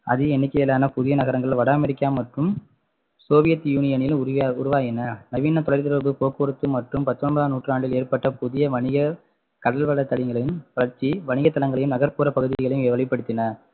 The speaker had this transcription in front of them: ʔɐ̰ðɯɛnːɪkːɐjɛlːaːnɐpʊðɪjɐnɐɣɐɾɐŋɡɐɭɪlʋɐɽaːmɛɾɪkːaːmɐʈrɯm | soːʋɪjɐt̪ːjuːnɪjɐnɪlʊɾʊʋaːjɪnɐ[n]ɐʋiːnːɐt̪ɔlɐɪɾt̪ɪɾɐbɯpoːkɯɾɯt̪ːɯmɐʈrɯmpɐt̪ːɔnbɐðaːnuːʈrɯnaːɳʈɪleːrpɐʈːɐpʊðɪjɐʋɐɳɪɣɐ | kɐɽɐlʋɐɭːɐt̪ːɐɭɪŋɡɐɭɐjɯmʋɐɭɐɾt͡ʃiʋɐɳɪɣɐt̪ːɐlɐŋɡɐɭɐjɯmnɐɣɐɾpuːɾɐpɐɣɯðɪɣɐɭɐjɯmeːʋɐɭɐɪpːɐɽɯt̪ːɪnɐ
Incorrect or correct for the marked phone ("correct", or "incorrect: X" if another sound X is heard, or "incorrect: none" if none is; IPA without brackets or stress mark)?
correct